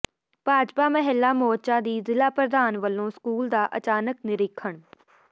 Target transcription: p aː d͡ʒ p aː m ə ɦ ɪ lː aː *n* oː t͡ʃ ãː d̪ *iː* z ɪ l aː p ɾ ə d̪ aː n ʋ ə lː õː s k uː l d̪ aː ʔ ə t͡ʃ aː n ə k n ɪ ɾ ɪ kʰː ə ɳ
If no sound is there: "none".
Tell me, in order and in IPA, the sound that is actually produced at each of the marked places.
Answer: m, iː

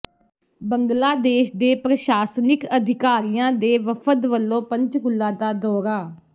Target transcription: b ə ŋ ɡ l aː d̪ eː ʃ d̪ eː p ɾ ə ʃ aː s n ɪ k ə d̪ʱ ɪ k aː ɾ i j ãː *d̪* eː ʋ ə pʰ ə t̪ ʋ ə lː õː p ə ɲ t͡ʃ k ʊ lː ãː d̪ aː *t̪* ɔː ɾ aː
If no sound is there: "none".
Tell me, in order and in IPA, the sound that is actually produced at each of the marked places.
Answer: d̪, d̪

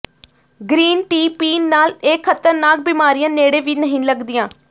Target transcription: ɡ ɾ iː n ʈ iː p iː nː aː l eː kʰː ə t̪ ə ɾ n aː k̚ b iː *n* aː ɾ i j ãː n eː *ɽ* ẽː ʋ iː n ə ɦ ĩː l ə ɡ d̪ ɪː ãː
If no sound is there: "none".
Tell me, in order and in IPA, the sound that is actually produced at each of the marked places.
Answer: m, ɽ

